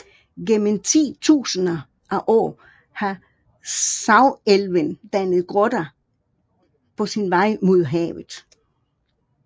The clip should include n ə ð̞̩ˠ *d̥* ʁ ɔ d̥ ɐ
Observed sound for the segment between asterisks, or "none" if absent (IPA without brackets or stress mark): ɡ̥